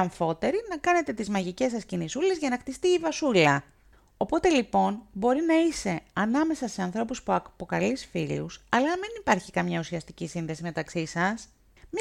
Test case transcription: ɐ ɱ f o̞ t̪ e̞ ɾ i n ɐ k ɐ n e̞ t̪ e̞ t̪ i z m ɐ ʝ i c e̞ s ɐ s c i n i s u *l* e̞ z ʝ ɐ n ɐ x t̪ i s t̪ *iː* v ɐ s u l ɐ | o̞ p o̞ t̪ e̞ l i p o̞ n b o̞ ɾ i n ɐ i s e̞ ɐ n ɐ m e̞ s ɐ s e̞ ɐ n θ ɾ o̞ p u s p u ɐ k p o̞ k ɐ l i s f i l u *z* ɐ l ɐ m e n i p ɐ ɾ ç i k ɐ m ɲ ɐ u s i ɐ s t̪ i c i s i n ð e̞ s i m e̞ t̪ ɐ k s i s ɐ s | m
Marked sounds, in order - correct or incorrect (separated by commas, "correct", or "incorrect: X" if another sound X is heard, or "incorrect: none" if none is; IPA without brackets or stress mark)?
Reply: correct, correct, incorrect: s